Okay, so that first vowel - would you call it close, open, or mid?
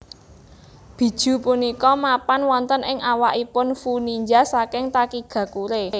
close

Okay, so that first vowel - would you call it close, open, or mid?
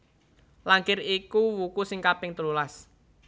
open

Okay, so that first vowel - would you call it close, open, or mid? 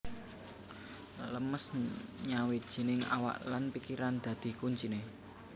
mid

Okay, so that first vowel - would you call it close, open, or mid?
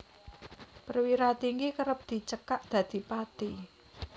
mid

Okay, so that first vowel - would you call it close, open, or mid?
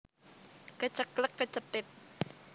mid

